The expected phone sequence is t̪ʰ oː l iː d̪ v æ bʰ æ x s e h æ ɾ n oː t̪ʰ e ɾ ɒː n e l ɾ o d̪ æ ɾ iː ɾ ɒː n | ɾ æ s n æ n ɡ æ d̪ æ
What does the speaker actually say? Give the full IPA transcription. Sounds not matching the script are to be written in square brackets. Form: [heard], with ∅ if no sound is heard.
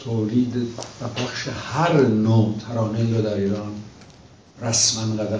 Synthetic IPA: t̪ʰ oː l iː d̪ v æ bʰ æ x [ʃ] e h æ ɾ n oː t̪ʰ [æ] ɾ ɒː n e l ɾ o d̪ æ ɾ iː ɾ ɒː n | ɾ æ s [m] æ n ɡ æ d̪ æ